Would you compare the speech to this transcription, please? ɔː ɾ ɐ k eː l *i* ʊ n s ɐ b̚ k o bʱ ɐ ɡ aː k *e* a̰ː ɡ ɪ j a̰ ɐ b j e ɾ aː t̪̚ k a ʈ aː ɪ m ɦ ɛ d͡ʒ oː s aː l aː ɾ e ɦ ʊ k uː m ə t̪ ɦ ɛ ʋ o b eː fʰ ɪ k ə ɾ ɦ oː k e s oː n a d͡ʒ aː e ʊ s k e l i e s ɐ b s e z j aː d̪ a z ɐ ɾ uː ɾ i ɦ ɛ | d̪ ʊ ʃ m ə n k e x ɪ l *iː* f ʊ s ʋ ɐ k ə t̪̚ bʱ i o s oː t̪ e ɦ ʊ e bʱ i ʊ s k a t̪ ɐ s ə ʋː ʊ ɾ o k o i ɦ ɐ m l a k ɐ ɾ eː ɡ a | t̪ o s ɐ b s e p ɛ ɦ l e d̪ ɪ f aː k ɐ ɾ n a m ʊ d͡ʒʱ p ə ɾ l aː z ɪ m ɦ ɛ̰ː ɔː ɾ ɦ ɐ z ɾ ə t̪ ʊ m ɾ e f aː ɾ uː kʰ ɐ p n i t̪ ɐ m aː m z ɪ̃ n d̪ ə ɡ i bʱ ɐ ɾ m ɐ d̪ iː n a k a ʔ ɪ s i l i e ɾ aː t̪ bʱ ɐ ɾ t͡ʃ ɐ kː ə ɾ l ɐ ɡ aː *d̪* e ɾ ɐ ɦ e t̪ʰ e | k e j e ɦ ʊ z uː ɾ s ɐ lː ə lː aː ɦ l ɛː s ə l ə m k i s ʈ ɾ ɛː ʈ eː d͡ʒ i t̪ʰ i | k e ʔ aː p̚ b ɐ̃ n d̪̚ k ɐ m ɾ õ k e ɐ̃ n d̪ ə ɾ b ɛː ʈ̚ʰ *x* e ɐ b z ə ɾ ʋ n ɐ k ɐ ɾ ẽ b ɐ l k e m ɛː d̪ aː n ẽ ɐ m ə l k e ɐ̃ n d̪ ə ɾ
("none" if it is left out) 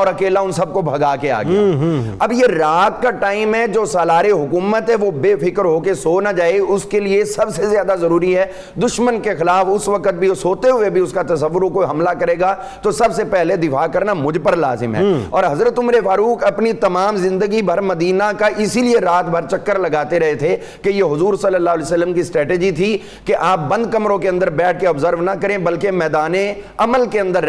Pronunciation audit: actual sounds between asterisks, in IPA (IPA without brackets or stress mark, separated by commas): a, e, aː, t̪, k